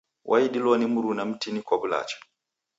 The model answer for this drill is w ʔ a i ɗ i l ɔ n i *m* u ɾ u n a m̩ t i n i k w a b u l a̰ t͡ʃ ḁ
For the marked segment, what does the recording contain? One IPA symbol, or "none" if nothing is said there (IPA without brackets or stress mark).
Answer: m